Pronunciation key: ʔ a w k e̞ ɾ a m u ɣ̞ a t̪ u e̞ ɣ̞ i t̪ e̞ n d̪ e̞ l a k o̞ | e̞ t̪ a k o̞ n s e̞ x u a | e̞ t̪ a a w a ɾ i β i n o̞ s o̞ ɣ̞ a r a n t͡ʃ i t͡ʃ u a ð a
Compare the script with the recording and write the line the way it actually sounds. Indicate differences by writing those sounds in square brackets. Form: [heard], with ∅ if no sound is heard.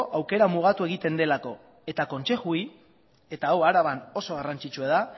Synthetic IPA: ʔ a w k e̞ ɾ a m u ɣ̞ a t̪ u e̞ ɣ̞ i t̪ e̞ n d̪ e̞ l a k o̞ | e̞ t̪ a k o̞ n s e̞ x u [i] | e̞ t̪ a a w a ɾ [a] β [a] n o̞ s o̞ ɣ̞ a r a n t͡ʃ i t͡ʃ u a ð a

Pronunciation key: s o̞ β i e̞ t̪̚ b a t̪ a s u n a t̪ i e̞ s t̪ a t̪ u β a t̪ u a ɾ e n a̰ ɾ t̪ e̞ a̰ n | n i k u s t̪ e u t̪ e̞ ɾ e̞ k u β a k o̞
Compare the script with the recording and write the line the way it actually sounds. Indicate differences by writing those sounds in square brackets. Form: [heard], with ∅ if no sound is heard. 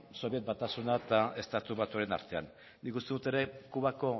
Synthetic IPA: s o̞ β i e̞ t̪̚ b a t̪ a s u n a t̪ [a] e̞ s t̪ a t̪ u β a t̪ u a ɾ e n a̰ ɾ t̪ e̞ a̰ n | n i k u s t̪ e u t̪ e̞ ɾ e̞ k u β a k o̞

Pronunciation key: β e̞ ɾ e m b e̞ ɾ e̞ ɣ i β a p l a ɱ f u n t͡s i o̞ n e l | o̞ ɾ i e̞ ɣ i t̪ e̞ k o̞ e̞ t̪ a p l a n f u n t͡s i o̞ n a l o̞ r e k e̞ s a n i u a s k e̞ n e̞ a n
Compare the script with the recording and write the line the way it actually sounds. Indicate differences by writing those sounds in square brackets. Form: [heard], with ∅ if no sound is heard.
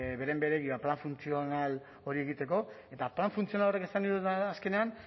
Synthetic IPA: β e̞ ɾ e m b e̞ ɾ e̞ ɣ i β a p l a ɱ f u n t͡s i o̞ n [a] l | o̞ ɾ i e̞ ɣ i t̪ e̞ k o̞ e̞ t̪ a p l a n f u n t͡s i o̞ n a l o̞ r e k e̞ s a n i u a s k e̞ n e̞ a n

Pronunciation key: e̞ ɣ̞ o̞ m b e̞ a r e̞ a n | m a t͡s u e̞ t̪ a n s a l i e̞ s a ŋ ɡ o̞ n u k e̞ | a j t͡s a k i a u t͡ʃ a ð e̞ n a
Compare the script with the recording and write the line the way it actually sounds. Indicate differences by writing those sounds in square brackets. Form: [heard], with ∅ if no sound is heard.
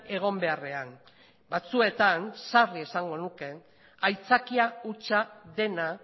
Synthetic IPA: e̞ ɣ̞ o̞ m b e̞ a r e̞ a n | [b] a t͡s u e̞ t̪ a n s a [r] i e̞ s a ŋ ɡ o̞ n u k e̞ | a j t͡s a k i a u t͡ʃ a ð e̞ n a

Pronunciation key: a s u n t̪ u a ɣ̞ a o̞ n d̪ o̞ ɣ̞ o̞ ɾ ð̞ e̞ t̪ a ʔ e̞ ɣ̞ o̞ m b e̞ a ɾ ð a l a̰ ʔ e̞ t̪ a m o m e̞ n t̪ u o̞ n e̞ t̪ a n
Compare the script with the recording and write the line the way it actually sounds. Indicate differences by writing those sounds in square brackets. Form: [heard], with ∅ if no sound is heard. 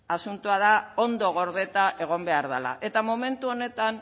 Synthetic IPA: a s u n t̪ u a [ð̞] a o̞ n d̪ o̞ ɣ̞ o̞ ɾ ð̞ e̞ t̪ a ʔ e̞ ɣ̞ o̞ m b e̞ a ɾ ð a l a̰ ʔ e̞ t̪ a m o m e̞ n t̪ u o̞ n e̞ t̪ a n

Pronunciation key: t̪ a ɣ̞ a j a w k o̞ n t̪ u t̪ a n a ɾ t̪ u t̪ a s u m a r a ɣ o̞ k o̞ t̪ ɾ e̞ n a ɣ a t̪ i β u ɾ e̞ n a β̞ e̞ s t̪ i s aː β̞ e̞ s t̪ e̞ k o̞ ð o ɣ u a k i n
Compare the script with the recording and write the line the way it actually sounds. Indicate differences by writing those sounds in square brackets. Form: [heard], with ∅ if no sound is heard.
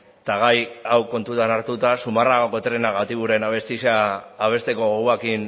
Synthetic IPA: t̪ a ɣ̞ a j a w k o̞ n t̪ u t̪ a n a ɾ t̪ u t̪ a s u m a r a ɣ o̞ k o̞ t̪ ɾ e̞ n a ɣ a t̪ i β u ɾ e̞ n a β̞ e̞ s t̪ i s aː β̞ e̞ s t̪ e̞ k o̞ [ɣ] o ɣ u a k i n

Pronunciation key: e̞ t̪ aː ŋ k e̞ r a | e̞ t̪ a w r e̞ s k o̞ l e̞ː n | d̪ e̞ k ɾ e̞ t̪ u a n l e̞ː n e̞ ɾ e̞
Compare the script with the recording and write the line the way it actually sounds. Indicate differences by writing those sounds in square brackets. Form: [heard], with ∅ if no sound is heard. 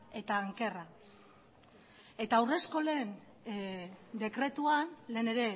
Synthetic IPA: e̞ t̪ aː ŋ k e̞ r a | e̞ t̪ a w r e̞ s k o̞ l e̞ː n | d̪ e̞ k ɾ e̞ t̪ u a n l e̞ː n e̞ ɾ e̞

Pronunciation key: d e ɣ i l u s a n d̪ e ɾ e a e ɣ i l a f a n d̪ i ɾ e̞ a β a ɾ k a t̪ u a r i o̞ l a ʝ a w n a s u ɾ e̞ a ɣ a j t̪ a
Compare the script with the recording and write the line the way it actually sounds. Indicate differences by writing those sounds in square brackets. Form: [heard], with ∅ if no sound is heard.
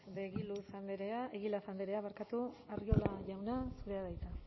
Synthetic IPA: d e ɣ i l u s a n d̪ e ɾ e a e ɣ i l a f a n d̪ [e] ɾ e̞ a β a ɾ k a t̪ u a r i o̞ l a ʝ a w n a s u ɾ e̞ a [ð] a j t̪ a

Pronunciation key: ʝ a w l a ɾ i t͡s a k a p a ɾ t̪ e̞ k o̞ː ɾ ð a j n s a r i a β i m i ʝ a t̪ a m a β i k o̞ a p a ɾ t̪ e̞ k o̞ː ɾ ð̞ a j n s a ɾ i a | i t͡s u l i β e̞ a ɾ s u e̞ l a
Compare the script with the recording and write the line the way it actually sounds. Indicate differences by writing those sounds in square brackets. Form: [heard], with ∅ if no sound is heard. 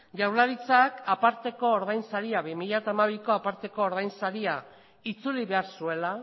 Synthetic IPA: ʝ a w l a ɾ i t͡s a k a p a ɾ t̪ e̞ k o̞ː ɾ ð a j n s a [ɾ] i a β i m i [ʎ] a t̪ a m a β i k o̞ a p a ɾ t̪ e̞ k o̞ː ɾ ð̞ a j n s a ɾ i a | i t͡s u l i β e̞ a ɾ s u e̞ l a

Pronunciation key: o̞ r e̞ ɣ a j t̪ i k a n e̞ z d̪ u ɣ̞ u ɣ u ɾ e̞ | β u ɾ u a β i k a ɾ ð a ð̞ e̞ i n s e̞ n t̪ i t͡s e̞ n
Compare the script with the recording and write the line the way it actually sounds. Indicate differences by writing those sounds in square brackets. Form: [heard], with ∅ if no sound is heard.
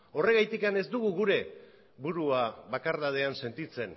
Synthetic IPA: o̞ r e̞ ɣ a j t̪ i k a n e̞ z d̪ u ɣ̞ u ɣ u ɾ e̞ | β u ɾ u a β [a] k a ɾ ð a ð̞ e̞ [a] n s e̞ n t̪ i t͡s e̞ n

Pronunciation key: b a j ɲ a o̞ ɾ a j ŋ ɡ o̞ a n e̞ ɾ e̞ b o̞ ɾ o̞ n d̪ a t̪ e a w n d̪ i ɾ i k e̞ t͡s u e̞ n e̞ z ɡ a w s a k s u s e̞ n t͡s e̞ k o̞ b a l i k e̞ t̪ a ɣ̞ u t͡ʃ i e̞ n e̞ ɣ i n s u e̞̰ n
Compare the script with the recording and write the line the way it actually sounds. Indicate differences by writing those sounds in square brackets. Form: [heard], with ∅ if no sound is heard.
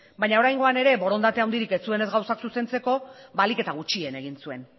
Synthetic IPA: b a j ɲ a o̞ ɾ a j ŋ ɡ o̞ a n e̞ ɾ e̞ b o̞ ɾ o̞ n d̪ a t̪ e a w n d̪ i ɾ i k e̞ t͡s u e̞ n e̞ z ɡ a w s a k s u s e̞ n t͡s e̞ k o̞ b a l i k e̞ t̪ a ɣ̞ u t͡ʃ i e̞ n e̞ ɣ i n s u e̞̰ n

